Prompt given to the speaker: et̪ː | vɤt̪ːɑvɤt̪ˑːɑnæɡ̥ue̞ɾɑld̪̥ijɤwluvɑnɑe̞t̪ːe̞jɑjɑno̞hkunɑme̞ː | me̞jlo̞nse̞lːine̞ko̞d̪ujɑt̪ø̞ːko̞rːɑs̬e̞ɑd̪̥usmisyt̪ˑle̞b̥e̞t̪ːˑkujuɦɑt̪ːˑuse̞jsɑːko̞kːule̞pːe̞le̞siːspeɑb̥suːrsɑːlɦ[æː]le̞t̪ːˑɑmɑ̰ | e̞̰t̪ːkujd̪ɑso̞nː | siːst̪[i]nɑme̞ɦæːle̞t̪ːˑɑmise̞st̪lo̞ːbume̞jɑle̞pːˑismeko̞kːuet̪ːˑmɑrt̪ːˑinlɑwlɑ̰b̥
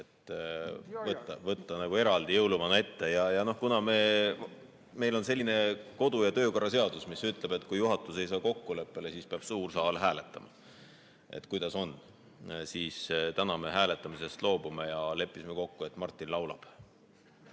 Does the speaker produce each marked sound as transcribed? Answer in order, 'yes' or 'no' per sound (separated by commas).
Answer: yes, no